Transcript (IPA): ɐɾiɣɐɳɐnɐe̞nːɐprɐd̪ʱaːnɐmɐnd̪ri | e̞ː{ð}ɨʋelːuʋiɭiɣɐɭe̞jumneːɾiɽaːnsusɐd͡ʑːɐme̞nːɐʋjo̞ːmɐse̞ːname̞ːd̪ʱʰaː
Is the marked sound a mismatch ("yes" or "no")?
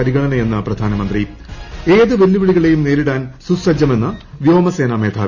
no